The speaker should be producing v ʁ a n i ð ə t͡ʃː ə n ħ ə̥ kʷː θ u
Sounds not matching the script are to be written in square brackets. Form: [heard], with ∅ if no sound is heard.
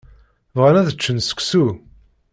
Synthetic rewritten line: v ʁ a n [æ] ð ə t͡ʃː ə n [s] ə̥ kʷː [s] u